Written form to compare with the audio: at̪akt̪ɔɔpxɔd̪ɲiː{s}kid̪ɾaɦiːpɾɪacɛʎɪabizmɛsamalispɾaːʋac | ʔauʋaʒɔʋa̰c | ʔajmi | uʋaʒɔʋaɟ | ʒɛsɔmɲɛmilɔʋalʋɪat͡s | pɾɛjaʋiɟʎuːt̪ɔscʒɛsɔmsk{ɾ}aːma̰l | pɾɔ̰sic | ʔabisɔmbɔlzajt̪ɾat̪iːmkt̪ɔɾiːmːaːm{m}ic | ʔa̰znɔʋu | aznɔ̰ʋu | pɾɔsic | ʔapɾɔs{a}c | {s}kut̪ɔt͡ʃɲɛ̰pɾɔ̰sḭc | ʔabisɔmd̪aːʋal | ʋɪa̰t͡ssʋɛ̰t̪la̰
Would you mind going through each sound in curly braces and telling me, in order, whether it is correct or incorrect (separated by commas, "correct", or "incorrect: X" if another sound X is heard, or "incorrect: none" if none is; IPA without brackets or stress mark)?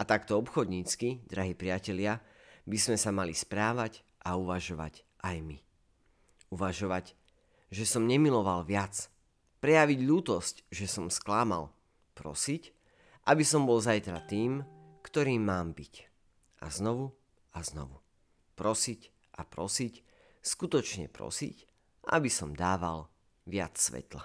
incorrect: t͡s, incorrect: l, incorrect: b, incorrect: i, correct